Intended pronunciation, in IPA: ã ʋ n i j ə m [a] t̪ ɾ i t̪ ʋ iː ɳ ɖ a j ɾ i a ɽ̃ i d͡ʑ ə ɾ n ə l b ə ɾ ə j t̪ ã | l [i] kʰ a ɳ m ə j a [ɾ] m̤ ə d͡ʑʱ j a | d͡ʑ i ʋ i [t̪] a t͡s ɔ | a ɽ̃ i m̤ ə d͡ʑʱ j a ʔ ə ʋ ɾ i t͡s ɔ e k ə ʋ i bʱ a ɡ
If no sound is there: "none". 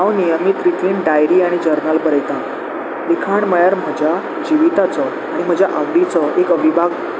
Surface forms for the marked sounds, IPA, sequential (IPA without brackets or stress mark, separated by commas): i, i, ɾ, t̪